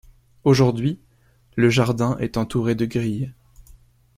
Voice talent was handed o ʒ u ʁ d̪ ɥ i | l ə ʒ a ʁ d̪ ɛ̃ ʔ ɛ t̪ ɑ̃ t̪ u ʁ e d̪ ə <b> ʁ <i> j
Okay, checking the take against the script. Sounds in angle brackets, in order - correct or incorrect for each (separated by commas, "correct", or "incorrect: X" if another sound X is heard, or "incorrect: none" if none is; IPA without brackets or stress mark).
incorrect: ɡ, correct